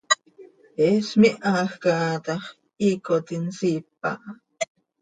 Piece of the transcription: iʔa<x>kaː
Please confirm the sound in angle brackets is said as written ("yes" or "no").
yes